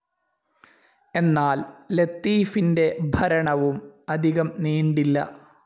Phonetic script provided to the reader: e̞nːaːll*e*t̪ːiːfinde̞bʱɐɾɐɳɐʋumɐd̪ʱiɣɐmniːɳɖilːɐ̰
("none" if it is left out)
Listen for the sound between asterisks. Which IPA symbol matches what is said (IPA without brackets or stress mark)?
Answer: e